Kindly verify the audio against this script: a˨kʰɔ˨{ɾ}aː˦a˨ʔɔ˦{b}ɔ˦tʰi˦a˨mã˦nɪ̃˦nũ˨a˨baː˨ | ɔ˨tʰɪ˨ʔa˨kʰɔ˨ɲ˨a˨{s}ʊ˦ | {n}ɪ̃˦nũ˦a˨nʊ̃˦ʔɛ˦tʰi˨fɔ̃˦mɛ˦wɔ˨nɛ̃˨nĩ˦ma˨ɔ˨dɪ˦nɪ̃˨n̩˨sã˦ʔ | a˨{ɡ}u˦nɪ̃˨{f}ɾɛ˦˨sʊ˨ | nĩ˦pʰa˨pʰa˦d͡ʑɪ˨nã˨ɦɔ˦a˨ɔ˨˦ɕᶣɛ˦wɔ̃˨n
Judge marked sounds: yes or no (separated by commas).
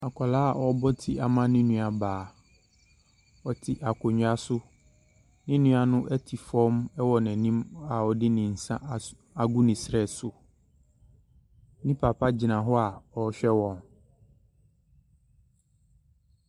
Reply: no, yes, yes, yes, yes, no